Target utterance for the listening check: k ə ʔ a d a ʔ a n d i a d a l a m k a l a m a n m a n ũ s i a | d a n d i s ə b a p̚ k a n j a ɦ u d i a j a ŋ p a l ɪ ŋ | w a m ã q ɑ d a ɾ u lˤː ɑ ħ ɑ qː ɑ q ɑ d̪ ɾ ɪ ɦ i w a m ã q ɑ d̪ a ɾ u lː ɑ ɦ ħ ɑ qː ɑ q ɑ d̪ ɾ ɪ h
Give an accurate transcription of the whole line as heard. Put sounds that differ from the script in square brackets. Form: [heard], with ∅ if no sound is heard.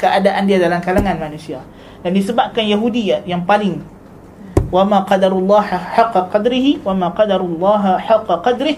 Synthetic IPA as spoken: k ə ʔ a d a ʔ a n d i a d a l a m k a l a [ŋ] a n m a n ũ s i a | d a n d i s ə b a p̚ k a n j a ɦ u d i a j a ŋ p a l ɪ ŋ | w a m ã q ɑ d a ɾ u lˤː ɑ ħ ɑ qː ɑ q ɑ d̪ ɾ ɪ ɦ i w a m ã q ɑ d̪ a ɾ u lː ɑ ɦ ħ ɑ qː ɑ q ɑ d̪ ɾ ɪ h